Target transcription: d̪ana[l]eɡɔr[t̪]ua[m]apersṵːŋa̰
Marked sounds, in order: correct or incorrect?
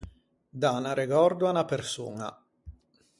incorrect, incorrect, incorrect

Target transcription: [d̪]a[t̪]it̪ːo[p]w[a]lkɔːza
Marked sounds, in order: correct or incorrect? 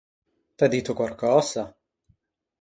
incorrect, incorrect, incorrect, correct

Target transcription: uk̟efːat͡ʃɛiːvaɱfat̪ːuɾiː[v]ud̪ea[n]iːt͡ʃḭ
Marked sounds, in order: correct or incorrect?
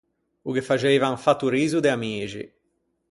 incorrect, incorrect

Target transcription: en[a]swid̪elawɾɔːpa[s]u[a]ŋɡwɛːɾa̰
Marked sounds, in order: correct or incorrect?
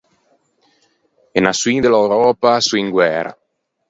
correct, correct, incorrect

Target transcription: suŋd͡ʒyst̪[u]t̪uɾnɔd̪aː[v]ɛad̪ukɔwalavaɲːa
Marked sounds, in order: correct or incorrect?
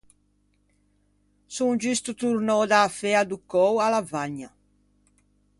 correct, incorrect

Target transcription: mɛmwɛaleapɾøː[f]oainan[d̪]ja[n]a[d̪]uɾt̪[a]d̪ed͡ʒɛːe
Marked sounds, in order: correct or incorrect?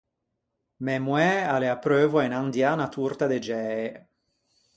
incorrect, correct, correct, incorrect, correct

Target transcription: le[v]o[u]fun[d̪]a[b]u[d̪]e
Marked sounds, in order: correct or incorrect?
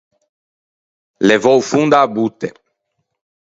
correct, incorrect, correct, correct, incorrect

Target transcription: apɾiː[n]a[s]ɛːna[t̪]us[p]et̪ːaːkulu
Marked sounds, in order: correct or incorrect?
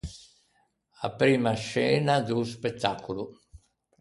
incorrect, incorrect, incorrect, correct

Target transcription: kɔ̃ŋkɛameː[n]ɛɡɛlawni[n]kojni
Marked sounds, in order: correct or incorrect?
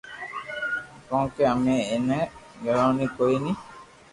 correct, incorrect

